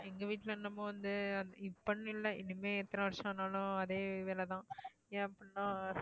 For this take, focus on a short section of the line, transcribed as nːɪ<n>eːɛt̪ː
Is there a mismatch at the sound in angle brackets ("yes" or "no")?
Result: yes